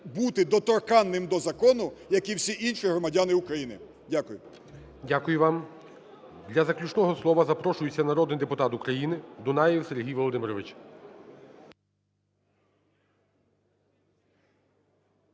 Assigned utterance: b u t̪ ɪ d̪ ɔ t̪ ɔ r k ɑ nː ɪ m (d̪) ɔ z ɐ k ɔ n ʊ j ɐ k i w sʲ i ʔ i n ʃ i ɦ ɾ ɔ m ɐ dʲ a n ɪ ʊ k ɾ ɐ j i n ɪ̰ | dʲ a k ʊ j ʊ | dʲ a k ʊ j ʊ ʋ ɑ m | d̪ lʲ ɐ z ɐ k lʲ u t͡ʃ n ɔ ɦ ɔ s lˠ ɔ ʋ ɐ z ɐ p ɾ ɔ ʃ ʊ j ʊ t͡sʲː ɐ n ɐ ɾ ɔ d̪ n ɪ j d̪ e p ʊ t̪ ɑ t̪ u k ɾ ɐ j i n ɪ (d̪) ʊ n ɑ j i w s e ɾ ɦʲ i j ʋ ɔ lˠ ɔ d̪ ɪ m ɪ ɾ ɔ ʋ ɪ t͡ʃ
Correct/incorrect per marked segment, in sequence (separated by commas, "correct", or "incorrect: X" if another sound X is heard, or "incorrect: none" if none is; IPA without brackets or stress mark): correct, correct